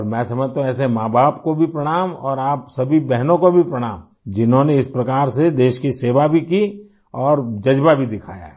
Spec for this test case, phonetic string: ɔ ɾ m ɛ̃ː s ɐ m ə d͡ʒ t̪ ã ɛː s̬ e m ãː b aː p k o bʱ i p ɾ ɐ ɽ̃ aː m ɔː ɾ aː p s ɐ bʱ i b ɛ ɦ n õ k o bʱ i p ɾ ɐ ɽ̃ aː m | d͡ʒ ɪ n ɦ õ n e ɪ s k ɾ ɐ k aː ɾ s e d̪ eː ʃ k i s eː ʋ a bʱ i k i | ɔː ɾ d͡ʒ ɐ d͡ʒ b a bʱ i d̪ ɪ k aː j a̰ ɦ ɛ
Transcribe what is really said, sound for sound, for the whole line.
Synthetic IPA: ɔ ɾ m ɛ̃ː s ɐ m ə d͡ʒ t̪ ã ɛː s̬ e m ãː b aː p k o bʱ i p ɾ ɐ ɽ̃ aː m ɔː ɾ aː p s ɐ bʱ i b ɛ ɦ n õ k o bʱ i p ɾ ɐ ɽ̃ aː m | d͡ʒ ɪ n ɦ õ n e ɪ s p ɾ ɐ k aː ɾ s e d̪ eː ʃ k i s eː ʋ a bʱ i k i | ɔː ɾ d͡ʒ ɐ d͡ʒ b a bʱ i d̪ ɪ kʰ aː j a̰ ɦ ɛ